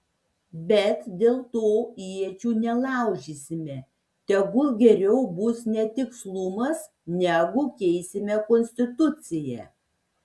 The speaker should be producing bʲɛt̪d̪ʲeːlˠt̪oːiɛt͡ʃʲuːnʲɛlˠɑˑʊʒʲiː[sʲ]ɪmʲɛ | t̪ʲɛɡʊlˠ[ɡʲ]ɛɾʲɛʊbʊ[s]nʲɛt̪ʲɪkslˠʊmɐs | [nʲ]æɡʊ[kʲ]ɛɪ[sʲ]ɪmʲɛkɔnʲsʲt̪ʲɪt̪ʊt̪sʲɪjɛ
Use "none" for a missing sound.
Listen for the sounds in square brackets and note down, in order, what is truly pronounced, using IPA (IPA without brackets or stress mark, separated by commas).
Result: sʲ, ɡʲ, s, nʲ, kʲ, sʲ